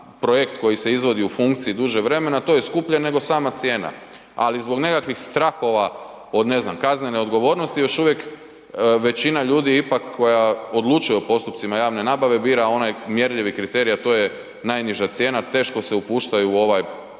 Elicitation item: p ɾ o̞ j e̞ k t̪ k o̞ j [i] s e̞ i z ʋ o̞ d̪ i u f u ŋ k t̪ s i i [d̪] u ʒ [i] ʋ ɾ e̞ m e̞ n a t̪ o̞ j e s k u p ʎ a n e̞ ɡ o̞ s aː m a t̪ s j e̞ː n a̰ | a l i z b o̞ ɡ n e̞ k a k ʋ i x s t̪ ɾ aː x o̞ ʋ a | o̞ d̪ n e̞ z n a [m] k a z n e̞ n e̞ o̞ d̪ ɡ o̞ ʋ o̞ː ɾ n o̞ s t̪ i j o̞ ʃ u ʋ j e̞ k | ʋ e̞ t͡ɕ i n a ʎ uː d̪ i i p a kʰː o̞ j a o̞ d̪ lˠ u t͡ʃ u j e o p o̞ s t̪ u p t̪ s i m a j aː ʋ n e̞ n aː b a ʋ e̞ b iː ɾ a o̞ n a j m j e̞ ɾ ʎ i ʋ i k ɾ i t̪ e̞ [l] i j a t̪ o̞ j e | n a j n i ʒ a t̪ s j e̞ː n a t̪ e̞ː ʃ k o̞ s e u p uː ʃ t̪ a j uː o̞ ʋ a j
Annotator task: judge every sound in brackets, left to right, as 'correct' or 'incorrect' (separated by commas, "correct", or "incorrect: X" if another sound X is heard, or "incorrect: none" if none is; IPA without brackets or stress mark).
correct, correct, incorrect: e, correct, incorrect: ɾ